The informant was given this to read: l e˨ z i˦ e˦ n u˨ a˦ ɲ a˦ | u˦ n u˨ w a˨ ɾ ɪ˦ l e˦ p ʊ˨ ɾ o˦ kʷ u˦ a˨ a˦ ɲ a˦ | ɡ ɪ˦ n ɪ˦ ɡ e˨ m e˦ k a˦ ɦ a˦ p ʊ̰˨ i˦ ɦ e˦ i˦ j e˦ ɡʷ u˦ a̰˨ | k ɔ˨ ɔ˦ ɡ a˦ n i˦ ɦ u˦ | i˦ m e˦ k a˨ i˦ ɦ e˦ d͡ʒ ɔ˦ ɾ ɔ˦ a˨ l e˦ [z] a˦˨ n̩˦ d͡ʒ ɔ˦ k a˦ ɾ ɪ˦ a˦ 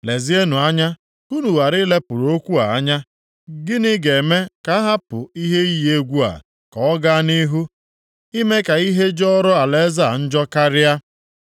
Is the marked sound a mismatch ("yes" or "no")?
no